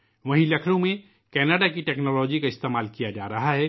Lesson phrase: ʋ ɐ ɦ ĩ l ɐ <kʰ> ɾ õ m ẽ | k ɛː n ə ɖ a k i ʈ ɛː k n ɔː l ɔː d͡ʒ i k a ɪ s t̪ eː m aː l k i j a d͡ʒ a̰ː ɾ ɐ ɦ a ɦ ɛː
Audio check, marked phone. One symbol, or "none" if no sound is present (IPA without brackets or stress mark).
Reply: kʰ